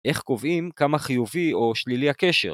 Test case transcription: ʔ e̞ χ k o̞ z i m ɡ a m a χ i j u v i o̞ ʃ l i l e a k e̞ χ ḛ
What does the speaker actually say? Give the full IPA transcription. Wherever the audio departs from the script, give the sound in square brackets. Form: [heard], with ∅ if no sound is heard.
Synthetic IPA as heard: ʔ e̞ χ k o̞ [v] i m [k] a m a χ i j u v i o̞ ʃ l i l [i] a k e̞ [ʃ] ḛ